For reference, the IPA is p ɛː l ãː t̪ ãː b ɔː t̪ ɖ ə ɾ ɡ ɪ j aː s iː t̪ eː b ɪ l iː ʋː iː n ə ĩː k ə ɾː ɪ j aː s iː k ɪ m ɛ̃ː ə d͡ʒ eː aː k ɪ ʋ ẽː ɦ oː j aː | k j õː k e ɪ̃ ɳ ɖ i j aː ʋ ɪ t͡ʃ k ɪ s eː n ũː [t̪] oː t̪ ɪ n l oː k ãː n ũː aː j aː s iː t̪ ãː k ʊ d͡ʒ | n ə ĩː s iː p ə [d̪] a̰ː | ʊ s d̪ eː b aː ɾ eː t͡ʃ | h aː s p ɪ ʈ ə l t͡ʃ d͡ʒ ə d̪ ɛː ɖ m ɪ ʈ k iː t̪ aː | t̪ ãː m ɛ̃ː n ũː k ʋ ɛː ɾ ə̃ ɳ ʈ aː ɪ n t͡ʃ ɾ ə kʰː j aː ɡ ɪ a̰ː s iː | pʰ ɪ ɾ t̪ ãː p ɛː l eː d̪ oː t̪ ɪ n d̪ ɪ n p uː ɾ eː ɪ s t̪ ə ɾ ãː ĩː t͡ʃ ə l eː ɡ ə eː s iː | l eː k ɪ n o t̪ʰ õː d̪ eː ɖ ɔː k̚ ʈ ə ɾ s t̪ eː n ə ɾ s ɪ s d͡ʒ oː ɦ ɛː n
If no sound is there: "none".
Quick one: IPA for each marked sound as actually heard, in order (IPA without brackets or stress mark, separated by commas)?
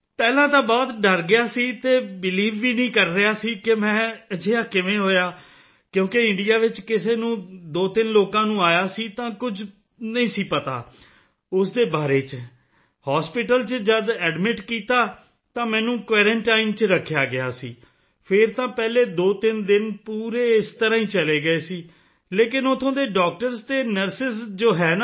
d̪, t̪